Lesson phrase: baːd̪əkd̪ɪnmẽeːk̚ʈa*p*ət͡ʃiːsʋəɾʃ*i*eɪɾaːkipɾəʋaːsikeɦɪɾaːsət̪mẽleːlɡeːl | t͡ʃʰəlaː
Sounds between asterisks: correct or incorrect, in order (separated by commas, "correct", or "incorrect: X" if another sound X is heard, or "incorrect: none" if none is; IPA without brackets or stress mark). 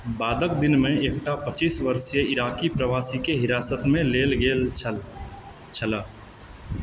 correct, incorrect: j